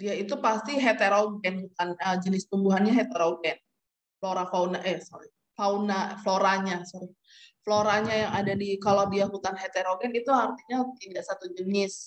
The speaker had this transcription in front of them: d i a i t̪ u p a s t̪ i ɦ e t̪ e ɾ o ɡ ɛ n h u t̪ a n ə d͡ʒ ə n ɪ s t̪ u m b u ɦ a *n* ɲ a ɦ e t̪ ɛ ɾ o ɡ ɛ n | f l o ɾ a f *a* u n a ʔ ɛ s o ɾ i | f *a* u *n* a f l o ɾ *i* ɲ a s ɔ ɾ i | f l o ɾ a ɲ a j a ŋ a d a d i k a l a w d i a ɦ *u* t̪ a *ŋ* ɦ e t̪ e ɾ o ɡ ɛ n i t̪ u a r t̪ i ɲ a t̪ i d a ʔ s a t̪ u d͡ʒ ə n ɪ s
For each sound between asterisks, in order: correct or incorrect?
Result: correct, correct, correct, correct, incorrect, correct, incorrect

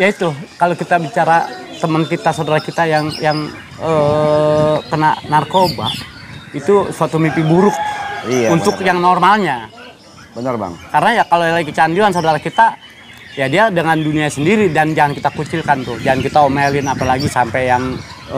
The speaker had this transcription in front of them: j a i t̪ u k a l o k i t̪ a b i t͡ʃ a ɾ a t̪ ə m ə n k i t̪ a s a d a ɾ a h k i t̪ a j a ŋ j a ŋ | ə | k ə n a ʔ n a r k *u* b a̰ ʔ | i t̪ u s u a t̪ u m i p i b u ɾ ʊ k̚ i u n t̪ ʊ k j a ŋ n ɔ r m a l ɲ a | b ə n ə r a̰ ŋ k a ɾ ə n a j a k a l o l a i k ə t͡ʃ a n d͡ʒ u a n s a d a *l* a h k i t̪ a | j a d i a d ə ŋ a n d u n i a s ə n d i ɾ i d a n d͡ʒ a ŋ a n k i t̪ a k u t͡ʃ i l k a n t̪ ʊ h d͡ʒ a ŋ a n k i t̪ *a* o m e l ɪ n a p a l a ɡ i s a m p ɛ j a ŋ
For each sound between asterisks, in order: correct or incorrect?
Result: incorrect, incorrect, correct

